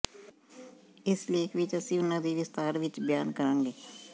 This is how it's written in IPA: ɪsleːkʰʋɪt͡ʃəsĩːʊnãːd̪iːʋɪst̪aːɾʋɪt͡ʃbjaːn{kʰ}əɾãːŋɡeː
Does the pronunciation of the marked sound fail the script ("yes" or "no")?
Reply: yes